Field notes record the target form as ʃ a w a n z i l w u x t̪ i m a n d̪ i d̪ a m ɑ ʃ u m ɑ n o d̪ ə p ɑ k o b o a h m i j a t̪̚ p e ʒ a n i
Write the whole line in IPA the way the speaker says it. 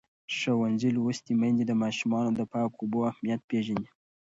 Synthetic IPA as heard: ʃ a w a n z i l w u s t̪ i m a n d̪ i d̪ ə m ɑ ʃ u m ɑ n o d̪ ə p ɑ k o b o a h m i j a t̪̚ p e ʒ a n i